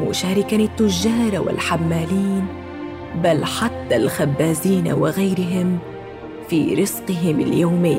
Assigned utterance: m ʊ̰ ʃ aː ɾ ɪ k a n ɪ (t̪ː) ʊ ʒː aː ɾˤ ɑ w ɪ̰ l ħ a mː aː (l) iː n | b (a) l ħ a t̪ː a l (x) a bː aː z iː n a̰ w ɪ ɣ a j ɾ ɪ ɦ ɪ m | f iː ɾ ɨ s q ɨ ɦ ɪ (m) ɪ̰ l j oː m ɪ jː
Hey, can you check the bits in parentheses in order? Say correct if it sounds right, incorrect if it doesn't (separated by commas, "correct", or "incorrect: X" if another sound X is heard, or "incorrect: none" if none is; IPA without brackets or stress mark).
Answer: correct, correct, correct, correct, correct